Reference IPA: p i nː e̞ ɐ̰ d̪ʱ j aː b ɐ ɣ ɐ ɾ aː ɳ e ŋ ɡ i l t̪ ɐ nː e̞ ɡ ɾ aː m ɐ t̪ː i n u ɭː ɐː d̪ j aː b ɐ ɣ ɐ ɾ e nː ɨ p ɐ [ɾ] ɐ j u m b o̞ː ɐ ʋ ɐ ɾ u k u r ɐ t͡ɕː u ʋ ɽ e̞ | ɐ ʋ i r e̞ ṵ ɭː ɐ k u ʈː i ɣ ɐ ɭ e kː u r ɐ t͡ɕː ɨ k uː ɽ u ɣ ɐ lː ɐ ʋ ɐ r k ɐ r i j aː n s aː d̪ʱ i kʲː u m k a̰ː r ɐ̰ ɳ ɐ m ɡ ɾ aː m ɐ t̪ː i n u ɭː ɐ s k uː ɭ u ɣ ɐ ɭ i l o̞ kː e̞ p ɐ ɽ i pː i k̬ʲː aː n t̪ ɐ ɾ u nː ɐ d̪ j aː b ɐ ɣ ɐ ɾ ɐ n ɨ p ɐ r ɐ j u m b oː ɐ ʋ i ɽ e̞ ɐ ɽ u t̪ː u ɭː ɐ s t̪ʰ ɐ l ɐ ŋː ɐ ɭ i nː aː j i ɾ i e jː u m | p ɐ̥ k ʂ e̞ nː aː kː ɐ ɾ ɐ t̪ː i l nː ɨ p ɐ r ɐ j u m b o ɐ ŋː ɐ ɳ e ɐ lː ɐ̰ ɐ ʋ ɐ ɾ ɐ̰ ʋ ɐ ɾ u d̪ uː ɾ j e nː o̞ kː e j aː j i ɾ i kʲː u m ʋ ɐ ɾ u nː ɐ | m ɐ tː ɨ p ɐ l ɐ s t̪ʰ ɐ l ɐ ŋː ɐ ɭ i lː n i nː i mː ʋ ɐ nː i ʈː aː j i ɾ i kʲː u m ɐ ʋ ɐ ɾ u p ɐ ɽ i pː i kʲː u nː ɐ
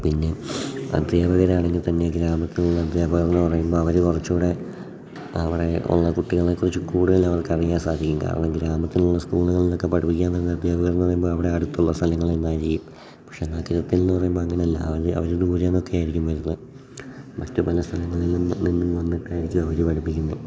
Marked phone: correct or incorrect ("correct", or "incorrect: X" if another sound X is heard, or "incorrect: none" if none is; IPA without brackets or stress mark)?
incorrect: r